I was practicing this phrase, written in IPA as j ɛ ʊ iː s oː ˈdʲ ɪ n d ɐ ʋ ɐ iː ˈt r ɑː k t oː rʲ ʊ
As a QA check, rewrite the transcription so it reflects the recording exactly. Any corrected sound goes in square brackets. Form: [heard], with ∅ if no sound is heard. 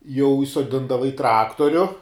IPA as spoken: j ɛ ʊ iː s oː ˈdʲ ɪ n d ɐ ʋ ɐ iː ˈt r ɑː k t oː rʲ ʊ